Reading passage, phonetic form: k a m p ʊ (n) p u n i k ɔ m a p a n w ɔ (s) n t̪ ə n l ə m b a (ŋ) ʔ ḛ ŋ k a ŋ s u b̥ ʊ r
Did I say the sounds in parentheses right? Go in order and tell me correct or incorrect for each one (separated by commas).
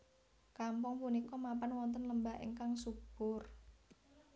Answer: incorrect, incorrect, incorrect